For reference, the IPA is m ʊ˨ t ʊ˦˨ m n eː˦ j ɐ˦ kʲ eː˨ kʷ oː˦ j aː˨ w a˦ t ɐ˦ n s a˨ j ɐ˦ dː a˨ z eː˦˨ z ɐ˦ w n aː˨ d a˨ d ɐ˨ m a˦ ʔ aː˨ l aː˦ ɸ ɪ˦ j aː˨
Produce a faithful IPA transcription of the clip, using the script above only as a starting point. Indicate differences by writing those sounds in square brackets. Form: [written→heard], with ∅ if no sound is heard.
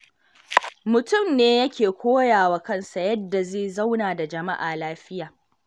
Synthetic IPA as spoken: m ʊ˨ t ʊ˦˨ m n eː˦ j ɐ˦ kʲ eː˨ kʷ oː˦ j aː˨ w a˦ [t→k] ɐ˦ n s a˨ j ɐ˦ dː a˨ z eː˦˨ z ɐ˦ w n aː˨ d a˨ [d→d͡ʒ] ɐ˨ m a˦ ʔ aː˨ l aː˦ ɸ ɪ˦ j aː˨